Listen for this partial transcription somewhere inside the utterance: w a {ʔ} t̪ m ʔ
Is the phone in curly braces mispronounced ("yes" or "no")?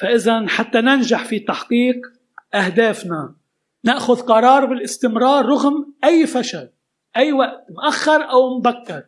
no